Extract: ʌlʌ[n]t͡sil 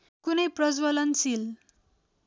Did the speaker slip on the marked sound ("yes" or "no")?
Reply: no